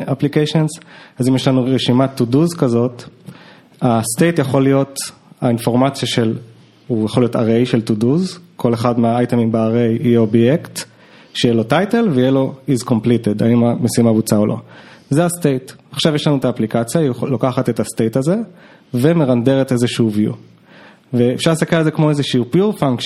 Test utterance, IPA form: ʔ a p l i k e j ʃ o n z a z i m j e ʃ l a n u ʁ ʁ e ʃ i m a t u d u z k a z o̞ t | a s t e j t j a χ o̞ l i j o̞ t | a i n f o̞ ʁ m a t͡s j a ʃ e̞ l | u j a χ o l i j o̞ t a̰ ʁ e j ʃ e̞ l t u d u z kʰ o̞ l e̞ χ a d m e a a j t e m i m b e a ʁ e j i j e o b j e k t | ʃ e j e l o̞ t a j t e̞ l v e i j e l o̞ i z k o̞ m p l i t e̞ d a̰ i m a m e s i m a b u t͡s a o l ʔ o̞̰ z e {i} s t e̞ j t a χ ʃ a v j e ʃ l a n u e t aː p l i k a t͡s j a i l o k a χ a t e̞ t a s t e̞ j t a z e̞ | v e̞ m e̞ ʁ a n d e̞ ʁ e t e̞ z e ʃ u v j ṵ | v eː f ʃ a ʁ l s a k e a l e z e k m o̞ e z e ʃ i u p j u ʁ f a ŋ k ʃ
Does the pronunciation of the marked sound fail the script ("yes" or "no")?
yes